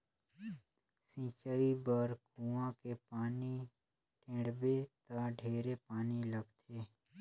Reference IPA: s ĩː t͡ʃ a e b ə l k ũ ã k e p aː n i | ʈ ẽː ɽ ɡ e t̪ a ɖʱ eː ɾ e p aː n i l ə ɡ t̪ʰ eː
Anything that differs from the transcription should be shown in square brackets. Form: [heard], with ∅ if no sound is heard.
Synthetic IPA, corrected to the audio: s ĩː t͡ʃ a [i] b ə [ɾ] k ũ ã k e p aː n i | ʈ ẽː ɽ [b] e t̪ a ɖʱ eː ɾ e p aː n i l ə ɡ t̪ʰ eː